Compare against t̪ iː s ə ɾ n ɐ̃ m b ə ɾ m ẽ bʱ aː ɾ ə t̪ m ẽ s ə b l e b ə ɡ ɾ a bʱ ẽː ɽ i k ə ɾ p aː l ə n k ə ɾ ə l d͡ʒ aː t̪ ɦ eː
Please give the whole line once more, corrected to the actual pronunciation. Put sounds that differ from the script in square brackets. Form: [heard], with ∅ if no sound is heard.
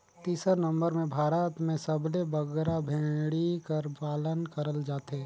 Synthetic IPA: t̪ iː s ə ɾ n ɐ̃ m b ə ɾ m ẽ bʱ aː ɾ ə t̪ m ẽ s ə b l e b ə ɡ ɾ a bʱ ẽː ɽ i k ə ɾ p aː l ə n k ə ɾ ə l d͡ʒ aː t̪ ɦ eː